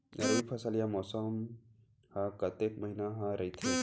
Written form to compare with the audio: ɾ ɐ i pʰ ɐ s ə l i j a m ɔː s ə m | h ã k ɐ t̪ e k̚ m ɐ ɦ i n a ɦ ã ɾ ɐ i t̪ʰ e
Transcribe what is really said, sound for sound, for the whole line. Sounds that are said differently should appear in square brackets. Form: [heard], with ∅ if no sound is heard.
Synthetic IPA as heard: ɾ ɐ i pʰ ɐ s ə l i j a m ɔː s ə m | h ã k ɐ t̪ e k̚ m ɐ ɦ i n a ɦ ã ɾ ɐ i t̪ʰ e